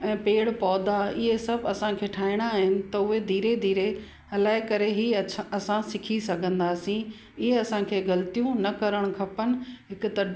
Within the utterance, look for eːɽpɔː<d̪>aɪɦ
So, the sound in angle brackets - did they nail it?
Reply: yes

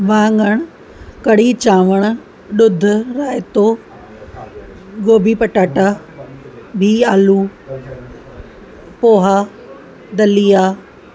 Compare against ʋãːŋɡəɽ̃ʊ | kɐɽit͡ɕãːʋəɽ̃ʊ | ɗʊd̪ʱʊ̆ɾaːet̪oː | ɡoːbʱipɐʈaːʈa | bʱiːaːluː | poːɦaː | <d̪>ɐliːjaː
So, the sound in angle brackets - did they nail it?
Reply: yes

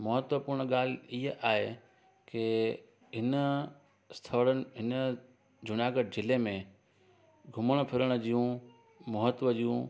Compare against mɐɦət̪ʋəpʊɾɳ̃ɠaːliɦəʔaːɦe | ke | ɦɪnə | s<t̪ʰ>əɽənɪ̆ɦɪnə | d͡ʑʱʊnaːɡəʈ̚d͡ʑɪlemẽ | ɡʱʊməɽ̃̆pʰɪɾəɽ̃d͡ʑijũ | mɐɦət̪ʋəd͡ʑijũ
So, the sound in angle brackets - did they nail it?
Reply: yes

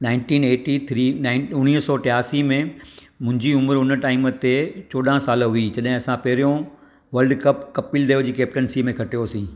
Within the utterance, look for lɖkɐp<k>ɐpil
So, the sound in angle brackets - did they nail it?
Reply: yes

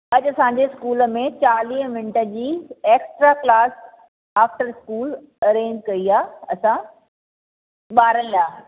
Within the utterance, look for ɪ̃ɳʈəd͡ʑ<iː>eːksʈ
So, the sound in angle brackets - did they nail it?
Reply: yes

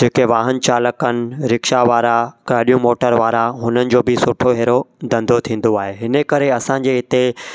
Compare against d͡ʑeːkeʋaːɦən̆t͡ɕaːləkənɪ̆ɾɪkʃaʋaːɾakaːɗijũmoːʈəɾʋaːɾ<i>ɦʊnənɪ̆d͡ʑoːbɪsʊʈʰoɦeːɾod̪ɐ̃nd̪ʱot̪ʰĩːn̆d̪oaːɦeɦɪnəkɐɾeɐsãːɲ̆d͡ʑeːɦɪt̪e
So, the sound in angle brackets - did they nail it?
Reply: no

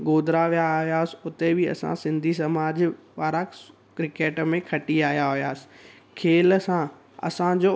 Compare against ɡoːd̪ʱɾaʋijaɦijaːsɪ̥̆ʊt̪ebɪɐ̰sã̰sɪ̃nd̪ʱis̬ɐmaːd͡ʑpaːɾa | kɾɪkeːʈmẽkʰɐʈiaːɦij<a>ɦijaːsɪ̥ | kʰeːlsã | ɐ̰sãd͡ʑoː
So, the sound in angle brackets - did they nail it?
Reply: yes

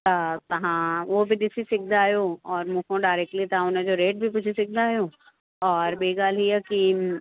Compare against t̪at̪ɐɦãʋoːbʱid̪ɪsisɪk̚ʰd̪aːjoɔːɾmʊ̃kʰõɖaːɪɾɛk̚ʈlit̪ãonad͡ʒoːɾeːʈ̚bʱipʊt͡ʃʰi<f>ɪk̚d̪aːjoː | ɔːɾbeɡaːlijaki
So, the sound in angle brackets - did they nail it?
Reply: no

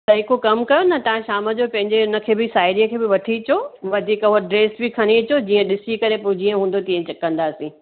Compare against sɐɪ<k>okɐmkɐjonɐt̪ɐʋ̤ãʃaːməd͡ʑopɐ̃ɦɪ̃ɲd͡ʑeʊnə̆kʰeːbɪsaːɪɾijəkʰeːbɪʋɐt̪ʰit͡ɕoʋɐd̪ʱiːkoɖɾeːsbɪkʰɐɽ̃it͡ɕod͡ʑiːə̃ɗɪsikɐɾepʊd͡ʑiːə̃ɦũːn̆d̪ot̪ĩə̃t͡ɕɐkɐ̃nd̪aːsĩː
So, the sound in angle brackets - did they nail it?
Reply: yes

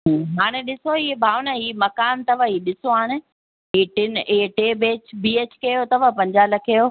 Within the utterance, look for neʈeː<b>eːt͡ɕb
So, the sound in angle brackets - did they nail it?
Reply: yes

